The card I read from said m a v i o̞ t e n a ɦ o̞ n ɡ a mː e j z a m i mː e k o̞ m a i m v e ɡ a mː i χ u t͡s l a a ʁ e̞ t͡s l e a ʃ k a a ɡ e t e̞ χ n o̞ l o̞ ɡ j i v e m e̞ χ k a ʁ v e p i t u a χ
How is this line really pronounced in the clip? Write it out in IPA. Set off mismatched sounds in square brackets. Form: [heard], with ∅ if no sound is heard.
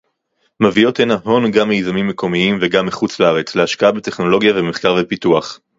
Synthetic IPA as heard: m a v i o̞ t e n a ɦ o̞ n ɡ a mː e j z a m i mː e k o̞ m [i] i m v e ɡ a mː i χ u t͡s l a a ʁ e̞ t͡s l e a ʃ k a a [b] e t e̞ χ n o̞ l o̞ ɡ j [a] v e m e̞ χ k a ʁ v e p i t u a χ